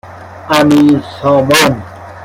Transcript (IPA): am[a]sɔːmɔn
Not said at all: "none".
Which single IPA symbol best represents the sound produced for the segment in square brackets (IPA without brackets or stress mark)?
i